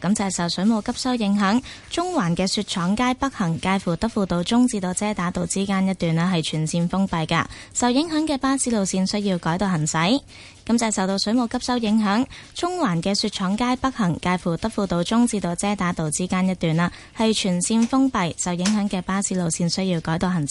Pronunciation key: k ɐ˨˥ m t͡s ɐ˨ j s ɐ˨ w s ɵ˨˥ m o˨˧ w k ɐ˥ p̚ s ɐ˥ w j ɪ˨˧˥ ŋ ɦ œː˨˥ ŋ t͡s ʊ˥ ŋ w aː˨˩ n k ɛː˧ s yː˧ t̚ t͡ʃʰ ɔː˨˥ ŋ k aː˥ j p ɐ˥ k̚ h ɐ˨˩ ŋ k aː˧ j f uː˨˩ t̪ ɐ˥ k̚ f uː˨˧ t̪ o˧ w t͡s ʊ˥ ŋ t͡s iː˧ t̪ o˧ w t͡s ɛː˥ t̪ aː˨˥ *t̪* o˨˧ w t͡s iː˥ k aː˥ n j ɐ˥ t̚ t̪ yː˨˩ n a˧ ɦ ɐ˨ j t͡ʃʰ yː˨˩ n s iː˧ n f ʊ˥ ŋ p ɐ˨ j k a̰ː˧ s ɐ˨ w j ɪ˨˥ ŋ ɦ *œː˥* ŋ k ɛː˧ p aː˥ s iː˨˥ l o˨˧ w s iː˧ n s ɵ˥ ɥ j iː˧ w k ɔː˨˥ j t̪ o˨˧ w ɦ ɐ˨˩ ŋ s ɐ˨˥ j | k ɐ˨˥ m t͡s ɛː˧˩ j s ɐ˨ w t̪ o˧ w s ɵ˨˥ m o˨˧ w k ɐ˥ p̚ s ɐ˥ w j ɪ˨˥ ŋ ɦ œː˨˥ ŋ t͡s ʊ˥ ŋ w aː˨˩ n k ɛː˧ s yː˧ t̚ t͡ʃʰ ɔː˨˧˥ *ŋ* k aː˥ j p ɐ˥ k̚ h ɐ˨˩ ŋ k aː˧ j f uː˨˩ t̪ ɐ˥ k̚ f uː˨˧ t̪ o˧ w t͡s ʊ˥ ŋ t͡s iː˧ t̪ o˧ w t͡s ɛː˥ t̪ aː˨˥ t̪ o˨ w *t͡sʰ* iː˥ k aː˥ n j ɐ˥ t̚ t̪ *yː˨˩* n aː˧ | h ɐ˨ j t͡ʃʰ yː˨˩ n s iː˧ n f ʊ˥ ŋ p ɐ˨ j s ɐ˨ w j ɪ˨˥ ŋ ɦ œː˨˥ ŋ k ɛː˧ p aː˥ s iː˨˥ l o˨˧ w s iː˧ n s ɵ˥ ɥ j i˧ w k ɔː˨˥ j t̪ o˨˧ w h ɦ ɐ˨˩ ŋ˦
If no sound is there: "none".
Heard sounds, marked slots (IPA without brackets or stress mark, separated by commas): t̪, œː˨˥, ŋ, t͡s, yː˨˩